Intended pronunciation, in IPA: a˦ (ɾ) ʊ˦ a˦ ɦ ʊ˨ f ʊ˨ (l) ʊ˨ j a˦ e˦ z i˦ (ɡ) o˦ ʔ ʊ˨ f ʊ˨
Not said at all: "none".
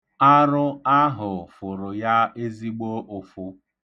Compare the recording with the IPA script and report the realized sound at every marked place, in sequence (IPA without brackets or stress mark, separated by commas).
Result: ɾ, ɾ, ɡ͡b